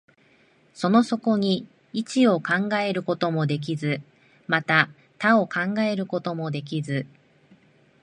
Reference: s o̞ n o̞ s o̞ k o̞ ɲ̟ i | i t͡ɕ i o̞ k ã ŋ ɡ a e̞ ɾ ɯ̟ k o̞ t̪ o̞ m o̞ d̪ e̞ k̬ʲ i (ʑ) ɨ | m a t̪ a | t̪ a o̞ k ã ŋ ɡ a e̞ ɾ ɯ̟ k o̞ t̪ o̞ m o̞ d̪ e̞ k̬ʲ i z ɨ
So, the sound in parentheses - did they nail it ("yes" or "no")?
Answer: no